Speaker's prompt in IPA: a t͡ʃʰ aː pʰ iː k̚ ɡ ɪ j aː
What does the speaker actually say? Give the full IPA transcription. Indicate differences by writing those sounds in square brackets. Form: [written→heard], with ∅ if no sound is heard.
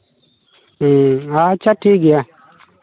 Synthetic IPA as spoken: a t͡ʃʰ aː [pʰ→ʈʰ] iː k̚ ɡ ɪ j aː